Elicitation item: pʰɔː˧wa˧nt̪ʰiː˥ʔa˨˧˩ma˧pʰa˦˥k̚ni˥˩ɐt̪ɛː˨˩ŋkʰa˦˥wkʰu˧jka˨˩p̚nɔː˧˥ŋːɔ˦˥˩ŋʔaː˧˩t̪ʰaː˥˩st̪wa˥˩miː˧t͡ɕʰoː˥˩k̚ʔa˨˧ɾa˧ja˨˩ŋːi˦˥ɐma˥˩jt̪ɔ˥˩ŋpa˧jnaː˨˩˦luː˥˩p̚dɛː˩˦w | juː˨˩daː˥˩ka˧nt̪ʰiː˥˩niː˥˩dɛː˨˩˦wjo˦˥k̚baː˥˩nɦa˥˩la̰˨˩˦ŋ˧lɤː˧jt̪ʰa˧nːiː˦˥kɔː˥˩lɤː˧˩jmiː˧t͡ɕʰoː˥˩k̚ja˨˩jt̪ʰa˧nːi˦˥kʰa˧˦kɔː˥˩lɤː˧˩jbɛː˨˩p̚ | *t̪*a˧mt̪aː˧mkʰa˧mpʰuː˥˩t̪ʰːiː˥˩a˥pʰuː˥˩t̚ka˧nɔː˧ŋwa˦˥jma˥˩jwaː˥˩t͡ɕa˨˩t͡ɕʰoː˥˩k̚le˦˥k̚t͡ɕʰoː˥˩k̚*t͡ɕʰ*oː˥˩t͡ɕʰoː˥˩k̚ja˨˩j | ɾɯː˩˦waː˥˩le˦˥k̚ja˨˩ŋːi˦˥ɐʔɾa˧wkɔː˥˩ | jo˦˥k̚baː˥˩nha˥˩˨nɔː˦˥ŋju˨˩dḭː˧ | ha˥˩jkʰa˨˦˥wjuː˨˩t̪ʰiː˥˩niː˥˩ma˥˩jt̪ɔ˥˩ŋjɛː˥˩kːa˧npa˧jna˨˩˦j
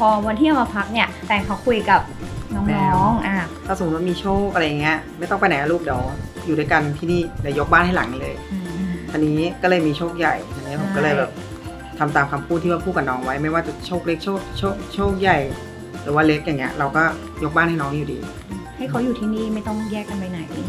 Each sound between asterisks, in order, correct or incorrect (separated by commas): incorrect, correct